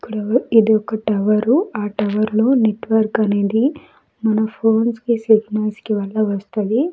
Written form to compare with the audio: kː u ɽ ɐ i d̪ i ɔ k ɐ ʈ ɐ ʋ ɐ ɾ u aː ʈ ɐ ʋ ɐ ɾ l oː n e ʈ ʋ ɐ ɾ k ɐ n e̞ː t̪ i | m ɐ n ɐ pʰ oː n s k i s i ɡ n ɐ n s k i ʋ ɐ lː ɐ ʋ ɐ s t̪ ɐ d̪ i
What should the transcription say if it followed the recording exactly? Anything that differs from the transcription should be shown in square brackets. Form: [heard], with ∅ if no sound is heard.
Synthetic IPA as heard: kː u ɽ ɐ i d̪ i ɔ k ɐ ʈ ɐ ʋ ɐ ɾ u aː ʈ ɐ ʋ ɐ ɾ l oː n e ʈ ʋ ɐ ɾ k ɐ n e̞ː [d̪] i | m ɐ n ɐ pʰ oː n s k i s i ɡ n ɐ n s k i ʋ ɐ lː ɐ ʋ ɐ s t̪ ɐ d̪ i

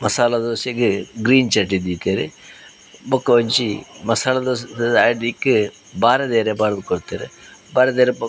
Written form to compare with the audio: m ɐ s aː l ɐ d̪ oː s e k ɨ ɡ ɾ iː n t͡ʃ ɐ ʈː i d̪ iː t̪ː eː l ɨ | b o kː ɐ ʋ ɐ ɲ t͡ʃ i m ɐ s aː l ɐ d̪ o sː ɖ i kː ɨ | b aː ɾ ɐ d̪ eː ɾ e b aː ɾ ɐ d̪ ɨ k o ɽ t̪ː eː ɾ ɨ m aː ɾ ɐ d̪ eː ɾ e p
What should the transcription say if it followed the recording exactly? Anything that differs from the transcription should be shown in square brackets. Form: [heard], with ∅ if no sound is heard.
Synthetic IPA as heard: m ɐ s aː l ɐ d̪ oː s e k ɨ ɡ ɾ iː n t͡ʃ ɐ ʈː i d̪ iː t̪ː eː [ɾ] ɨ | b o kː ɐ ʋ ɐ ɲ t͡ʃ i m ɐ s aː l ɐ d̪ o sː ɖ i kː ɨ | b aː ɾ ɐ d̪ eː ɾ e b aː ɾ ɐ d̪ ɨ k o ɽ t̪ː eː ɾ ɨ [b] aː ɾ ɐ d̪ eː ɾ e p

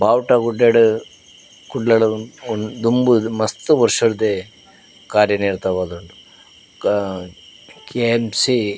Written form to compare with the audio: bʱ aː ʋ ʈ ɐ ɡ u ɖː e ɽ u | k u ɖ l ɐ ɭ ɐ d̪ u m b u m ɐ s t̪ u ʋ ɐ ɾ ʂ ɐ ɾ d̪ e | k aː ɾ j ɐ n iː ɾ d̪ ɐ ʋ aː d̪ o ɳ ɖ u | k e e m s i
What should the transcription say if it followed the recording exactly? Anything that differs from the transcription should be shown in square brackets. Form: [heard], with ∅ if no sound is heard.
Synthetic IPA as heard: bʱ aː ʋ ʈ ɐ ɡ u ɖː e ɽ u | k u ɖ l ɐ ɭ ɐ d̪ u m b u m ɐ s t̪ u ʋ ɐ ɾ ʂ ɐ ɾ d̪ e | k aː ɾ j ɐ n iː ɾ [t̪] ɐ ʋ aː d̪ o ɳ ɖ u | k e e m s i

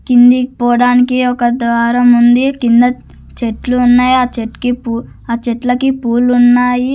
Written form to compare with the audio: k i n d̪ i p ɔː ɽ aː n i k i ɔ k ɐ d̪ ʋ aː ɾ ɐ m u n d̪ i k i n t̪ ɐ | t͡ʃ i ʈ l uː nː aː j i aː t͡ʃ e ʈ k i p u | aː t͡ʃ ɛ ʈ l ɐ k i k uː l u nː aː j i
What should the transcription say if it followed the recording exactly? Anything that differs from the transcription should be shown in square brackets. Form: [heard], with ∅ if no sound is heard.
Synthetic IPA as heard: k i n d̪ i p ɔː ɽ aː n i k i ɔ k ɐ d̪ ʋ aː ɾ ɐ m u n d̪ i k i n [d̪] ɐ | t͡ʃ [e] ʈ l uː nː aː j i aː t͡ʃ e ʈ k i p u | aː t͡ʃ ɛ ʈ l ɐ k i [p] uː l u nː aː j i

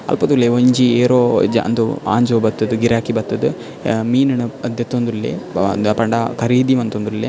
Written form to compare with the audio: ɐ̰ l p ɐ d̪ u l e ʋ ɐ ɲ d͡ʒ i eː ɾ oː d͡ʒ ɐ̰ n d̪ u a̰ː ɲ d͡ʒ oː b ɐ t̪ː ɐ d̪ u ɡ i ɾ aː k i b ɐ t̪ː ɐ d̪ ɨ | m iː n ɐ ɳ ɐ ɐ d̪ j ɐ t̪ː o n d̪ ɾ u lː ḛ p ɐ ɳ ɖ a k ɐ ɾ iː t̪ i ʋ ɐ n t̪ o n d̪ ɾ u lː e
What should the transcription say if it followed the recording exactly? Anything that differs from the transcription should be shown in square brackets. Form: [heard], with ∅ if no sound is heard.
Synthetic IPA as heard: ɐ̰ l p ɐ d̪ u l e ʋ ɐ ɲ d͡ʒ i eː ɾ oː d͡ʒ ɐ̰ n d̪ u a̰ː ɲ d͡ʒ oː b ɐ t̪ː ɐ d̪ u ɡ i ɾ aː k i b ɐ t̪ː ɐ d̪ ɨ | m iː n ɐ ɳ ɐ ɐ d̪ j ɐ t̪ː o n d̪ ɾ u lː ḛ p ɐ ɳ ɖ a k ɐ ɾ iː [d̪] i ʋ ɐ n t̪ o n d̪ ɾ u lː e

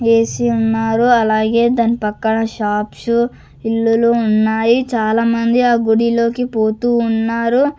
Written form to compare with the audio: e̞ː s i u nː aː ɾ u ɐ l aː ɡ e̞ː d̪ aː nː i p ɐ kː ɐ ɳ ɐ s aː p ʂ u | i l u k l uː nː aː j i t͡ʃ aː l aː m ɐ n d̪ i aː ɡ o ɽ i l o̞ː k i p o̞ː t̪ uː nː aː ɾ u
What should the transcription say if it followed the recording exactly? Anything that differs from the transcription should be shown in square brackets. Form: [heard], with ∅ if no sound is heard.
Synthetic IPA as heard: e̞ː s i u nː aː ɾ u ɐ l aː ɡ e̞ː d̪ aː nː i p ɐ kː ɐ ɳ ɐ [ʃ] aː p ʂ u | i [lː] u [∅] l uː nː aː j i t͡ʃ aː l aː m ɐ n d̪ i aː ɡ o ɽ i l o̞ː k i p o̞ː t̪ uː nː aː ɾ u

